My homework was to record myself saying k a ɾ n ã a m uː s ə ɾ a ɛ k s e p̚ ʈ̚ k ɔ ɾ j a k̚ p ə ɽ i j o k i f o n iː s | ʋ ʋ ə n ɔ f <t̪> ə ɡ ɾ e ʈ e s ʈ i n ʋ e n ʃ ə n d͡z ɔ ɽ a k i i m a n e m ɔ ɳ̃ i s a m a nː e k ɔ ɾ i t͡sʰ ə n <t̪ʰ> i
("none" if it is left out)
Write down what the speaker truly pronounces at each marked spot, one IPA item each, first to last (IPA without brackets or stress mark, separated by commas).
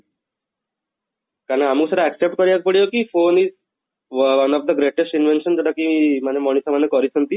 d̪, t̪